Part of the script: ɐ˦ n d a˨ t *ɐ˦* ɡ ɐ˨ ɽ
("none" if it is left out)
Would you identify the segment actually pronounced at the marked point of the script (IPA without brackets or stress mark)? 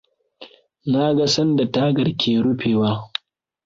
a˦